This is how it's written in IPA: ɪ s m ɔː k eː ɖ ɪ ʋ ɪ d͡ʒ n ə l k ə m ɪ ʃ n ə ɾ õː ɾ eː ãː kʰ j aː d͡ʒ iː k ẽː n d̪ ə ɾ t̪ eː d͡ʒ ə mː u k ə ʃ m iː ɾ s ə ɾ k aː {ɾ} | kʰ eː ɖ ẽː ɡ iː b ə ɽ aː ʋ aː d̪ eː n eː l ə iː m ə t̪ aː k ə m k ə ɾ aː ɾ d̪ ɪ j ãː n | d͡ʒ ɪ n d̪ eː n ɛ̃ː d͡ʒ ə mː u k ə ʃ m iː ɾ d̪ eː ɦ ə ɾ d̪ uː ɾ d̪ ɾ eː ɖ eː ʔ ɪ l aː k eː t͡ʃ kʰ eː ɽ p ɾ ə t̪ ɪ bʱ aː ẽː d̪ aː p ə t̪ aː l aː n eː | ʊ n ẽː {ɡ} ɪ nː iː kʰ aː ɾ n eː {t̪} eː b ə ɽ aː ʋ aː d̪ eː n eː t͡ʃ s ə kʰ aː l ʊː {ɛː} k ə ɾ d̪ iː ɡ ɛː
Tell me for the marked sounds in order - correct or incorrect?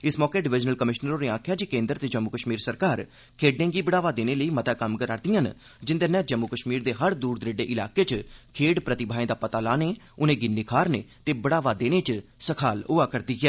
correct, correct, correct, incorrect

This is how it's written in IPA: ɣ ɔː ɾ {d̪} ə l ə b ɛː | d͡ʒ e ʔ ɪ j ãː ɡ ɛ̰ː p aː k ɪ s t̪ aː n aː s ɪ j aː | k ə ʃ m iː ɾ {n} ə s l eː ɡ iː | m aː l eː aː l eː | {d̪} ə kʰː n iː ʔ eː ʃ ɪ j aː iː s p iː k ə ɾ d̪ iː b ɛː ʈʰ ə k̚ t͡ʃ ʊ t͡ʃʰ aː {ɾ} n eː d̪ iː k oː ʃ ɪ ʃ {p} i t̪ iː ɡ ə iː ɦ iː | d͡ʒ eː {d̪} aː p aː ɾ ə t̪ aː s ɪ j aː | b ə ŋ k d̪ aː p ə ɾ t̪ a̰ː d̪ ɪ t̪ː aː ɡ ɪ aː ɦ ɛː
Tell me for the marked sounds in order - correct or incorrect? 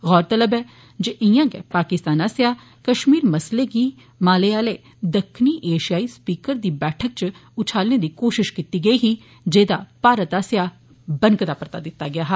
incorrect, incorrect, correct, incorrect, incorrect, correct

